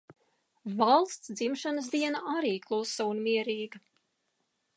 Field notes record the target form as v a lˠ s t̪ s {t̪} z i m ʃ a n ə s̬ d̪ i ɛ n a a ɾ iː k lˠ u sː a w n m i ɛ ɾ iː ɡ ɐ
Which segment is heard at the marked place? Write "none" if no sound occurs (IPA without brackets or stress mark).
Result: d̪